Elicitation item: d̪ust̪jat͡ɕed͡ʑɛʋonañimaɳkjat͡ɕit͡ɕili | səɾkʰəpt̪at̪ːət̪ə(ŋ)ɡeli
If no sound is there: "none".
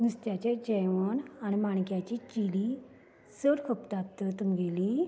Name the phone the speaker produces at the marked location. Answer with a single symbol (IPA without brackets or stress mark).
m